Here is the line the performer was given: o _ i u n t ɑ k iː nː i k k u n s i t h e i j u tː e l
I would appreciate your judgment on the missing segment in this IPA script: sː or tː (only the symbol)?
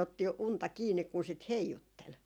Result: tː